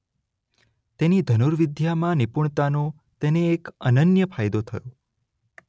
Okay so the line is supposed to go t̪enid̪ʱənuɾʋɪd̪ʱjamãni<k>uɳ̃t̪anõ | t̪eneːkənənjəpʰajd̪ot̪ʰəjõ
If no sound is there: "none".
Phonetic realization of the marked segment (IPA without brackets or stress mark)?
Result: p